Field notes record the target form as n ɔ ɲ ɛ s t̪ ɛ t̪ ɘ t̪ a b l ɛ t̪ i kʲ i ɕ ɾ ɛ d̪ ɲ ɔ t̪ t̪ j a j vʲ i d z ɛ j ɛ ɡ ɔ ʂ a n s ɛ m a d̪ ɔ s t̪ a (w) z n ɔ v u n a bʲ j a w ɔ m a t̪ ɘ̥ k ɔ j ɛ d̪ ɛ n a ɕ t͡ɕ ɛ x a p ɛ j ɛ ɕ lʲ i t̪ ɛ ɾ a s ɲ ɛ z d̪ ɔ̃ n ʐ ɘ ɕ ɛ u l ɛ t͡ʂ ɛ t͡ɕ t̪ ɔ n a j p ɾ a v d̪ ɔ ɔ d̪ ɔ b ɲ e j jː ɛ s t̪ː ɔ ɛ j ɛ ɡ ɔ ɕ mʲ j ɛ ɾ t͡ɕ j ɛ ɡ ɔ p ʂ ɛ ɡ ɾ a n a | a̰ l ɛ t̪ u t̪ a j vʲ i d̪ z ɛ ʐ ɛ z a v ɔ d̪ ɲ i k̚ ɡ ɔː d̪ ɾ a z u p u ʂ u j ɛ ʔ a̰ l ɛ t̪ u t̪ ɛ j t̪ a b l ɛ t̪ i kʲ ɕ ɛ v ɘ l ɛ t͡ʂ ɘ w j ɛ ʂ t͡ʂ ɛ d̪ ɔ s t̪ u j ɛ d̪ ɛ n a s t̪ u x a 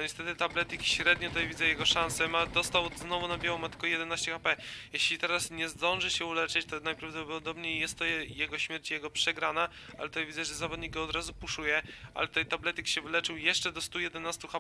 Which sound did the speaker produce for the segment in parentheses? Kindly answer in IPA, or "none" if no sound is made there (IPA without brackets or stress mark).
w